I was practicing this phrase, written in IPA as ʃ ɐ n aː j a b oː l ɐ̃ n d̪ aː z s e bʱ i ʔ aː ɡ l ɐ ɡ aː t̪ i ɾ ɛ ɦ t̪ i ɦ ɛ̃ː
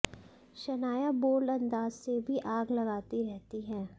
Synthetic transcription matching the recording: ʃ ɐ n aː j a b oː l ɐ̃ n d̪ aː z s e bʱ i ʔ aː ɡ l ɐ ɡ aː t̪ i ɾ ɛ ɦ t̪ i ɦ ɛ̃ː